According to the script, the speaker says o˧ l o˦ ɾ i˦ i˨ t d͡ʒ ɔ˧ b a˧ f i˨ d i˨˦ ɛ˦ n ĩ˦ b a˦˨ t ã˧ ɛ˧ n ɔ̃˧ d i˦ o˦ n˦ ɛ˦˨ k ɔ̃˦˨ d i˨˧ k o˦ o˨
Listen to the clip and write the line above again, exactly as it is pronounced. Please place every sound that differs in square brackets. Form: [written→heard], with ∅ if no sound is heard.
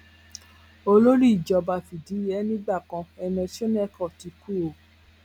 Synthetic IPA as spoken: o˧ l o˦ ɾ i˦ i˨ [t→∅] d͡ʒ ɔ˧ b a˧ f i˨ d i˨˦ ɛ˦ n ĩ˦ [b→ɡ͡b] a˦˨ [t→k] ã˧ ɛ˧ n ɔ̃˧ [d→t] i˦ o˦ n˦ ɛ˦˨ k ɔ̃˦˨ [d→t] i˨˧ k [o˦→u˦] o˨

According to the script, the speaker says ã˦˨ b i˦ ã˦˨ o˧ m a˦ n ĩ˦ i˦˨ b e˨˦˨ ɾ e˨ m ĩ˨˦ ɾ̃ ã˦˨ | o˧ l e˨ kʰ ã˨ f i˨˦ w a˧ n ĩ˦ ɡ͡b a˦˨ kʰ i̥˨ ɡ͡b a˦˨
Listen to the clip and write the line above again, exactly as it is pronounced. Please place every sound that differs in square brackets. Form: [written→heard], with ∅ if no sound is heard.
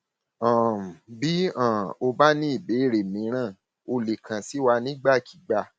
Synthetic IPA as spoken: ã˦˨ b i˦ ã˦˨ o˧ [m→b] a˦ n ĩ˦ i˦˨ b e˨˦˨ ɾ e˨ m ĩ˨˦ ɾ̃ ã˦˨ | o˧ l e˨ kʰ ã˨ [f→s] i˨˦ w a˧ n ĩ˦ ɡ͡b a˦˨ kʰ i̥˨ ɡ͡b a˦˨

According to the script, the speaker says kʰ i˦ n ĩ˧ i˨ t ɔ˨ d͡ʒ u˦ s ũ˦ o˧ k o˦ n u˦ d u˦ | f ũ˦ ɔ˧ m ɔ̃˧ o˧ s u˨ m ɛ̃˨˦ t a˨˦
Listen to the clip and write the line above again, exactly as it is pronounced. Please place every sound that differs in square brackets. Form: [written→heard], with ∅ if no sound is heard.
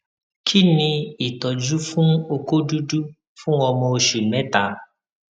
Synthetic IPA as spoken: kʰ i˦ n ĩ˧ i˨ t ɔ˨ d͡ʒ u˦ [s→f] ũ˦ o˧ k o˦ [n→d] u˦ d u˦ | f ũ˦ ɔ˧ m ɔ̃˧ o˧ [s→ʃ] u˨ m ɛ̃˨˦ t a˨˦

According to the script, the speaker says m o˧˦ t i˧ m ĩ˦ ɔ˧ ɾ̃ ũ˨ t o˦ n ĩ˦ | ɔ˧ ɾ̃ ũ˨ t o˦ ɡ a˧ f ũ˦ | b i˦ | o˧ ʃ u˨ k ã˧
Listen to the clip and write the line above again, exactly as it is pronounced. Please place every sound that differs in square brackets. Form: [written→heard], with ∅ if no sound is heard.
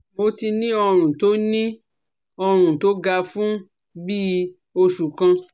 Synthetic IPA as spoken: m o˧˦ t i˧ [m→n] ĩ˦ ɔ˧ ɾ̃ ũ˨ t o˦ n ĩ˦ | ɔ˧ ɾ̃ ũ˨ t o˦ ɡ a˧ f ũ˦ | b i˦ | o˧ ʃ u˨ k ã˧

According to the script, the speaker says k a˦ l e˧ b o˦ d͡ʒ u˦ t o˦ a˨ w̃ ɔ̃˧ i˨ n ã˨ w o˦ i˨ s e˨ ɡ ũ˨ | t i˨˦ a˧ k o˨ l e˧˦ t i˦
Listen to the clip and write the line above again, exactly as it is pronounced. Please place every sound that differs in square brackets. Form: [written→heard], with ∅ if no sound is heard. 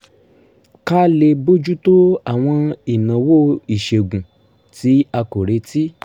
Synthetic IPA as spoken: k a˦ l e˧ b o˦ d͡ʒ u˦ t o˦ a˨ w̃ ɔ̃˧ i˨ n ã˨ w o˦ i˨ [s→ʃ] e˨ ɡ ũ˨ | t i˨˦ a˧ k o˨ [l→ɾ] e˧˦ t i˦

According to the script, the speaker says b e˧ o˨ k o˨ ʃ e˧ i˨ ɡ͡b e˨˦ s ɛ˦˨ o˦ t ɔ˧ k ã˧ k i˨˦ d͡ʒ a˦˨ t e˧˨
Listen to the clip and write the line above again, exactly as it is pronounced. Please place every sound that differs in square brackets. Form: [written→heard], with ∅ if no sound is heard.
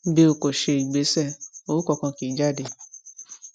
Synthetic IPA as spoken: b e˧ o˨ k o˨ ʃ e˧ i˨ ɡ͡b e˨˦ s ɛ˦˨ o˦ [t→k] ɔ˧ k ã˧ k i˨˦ d͡ʒ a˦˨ [t→d] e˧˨

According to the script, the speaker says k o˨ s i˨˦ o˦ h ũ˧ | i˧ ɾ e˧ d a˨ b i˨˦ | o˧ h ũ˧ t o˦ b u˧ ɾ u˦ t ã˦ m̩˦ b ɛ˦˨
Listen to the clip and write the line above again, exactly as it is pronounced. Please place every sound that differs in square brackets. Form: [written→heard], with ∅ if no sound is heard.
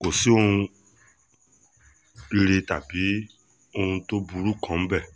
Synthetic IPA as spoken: k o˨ s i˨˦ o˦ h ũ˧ | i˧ ɾ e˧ [d→t] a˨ b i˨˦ | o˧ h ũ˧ t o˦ b u˧ ɾ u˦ [t→k] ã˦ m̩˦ b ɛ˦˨

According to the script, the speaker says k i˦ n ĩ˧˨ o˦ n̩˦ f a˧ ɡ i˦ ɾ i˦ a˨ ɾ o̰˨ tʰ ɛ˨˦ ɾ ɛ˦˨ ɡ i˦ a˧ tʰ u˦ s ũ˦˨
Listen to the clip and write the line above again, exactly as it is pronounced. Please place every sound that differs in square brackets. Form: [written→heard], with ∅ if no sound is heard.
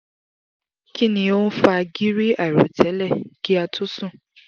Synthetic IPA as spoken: k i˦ n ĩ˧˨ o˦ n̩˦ f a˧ ɡ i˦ ɾ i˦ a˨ ɾ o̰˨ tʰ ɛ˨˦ [ɾ→l] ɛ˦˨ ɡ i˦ a˧ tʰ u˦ s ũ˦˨

